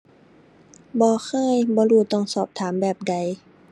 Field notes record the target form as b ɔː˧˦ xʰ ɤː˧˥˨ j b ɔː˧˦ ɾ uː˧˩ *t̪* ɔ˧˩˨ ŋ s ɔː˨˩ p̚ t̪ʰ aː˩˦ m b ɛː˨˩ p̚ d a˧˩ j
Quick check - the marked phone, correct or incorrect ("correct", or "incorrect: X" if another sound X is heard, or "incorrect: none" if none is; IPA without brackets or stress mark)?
correct